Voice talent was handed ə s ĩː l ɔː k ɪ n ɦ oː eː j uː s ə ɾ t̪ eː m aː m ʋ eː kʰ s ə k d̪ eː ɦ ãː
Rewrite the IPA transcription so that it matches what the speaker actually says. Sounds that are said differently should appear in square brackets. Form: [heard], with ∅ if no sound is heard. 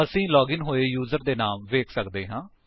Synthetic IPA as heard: ə s ĩː l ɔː [ɡ] ɪ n ɦ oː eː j uː [z] ə ɾ [d̪] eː [n] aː m ʋ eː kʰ s ə k d̪ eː ɦ ãː